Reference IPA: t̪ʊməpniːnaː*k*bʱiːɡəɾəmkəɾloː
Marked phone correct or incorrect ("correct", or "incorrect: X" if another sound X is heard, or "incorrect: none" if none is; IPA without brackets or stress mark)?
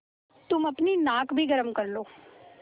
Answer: correct